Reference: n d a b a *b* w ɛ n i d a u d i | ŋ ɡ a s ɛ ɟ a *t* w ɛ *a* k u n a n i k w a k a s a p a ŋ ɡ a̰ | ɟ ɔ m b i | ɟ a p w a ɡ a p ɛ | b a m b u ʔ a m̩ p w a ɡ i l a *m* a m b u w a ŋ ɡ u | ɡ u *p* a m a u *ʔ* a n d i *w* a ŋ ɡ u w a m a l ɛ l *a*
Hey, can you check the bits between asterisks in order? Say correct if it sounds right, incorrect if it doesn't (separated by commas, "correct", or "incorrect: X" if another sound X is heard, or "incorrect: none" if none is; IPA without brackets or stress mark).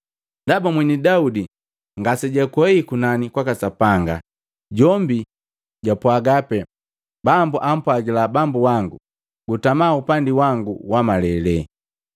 incorrect: m, incorrect: k, incorrect: i, incorrect: b, incorrect: t, incorrect: p, correct, incorrect: ɛ